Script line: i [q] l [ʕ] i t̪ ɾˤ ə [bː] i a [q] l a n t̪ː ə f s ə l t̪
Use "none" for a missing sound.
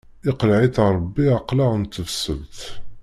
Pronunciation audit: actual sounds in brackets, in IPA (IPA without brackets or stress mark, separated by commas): q, ʕ, bː, q